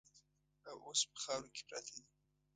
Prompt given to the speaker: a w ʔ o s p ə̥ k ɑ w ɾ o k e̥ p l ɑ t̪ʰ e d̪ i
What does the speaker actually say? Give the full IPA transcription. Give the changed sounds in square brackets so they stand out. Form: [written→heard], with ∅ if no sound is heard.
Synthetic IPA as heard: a w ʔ o s p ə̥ [k→x] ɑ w ɾ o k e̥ p [l→ɾ] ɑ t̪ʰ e d̪ i